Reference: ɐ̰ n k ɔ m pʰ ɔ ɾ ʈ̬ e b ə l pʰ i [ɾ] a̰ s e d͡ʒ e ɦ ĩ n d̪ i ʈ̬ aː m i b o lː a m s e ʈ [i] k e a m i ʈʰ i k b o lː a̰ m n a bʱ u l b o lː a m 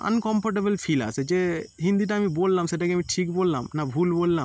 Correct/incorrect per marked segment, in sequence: incorrect, incorrect

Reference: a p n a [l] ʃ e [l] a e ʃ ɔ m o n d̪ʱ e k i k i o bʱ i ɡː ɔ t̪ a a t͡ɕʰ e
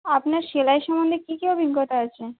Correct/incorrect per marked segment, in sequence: incorrect, correct

